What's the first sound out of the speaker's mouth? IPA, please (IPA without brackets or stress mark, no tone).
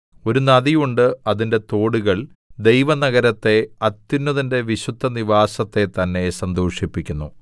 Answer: o̞